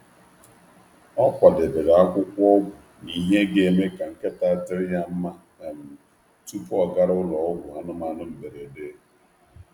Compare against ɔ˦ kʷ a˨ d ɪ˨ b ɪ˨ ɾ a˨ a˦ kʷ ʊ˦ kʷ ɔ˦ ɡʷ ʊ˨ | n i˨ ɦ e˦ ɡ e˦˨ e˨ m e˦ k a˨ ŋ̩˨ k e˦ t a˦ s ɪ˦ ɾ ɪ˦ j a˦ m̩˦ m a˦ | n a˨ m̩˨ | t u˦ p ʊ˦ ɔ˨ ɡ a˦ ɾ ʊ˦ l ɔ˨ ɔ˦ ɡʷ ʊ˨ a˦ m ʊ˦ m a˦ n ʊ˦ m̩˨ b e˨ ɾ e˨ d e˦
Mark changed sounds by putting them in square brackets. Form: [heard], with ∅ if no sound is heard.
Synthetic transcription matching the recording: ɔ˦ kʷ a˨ d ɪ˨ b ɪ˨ ɾ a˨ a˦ kʷ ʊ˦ kʷ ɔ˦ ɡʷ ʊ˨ | n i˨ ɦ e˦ ɡ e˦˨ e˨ m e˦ k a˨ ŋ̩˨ k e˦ t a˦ [t] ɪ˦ ɾ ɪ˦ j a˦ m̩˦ m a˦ | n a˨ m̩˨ | t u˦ p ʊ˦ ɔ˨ ɡ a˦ ɾ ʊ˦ l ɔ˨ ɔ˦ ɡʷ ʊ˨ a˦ [n] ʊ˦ m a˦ n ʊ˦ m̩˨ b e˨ ɾ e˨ d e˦